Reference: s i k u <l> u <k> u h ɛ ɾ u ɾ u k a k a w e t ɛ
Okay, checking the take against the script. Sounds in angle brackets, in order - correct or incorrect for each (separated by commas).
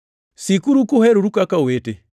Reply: incorrect, correct